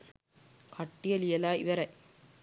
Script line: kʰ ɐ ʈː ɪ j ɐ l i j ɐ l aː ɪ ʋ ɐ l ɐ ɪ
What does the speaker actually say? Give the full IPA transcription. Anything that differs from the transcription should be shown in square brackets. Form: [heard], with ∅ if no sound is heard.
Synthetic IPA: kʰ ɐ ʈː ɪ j ɐ l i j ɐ l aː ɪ ʋ ɐ [ɾ] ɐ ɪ